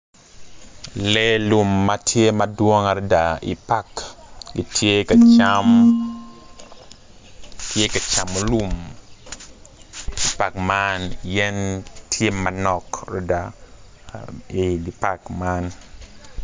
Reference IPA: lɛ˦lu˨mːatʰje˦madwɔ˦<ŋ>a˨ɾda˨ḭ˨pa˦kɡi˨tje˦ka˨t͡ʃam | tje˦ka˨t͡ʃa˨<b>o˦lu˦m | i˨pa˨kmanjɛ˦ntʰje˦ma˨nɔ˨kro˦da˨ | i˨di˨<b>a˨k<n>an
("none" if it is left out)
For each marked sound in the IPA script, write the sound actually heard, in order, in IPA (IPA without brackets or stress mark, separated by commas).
ŋ, m, p, m